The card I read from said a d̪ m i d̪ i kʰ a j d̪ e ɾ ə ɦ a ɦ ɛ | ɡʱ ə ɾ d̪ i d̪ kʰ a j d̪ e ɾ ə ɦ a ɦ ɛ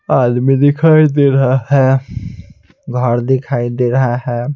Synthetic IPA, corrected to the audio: a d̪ m i d̪ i kʰ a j d̪ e ɾ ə ɦ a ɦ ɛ | ɡʱ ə ɾ d̪ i kʰ a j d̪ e ɾ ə ɦ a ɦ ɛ